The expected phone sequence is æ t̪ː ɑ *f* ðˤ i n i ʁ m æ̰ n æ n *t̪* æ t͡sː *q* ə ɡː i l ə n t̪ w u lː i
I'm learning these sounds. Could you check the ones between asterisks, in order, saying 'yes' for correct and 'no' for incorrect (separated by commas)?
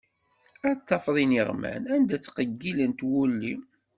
yes, no, yes